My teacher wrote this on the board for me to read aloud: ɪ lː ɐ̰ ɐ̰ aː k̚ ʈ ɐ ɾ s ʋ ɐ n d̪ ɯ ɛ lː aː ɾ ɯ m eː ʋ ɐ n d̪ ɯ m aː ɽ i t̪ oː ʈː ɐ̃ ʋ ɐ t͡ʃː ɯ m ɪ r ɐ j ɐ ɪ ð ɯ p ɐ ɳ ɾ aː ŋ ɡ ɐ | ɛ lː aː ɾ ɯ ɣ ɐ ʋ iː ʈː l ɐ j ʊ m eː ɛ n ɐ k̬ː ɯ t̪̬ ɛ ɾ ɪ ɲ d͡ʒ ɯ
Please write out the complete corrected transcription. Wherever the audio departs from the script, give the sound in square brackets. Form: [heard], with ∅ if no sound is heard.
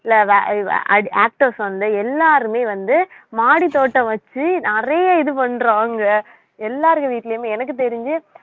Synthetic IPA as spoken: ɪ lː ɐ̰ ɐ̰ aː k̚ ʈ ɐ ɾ s ʋ ɐ n d̪ ɯ ɛ lː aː ɾ ɯ m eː ʋ ɐ n d̪ ɯ m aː ɽ i t̪ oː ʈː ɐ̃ ʋ ɐ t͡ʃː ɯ [n] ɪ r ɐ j ɐ ɪ ð ɯ p ɐ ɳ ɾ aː ŋ ɡ ɐ | ɛ lː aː ɾ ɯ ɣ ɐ ʋ iː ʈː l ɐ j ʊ m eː ɛ n ɐ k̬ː ɯ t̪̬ ɛ ɾ ɪ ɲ d͡ʒ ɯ